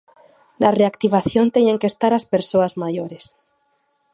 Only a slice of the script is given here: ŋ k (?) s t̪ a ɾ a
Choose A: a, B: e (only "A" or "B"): B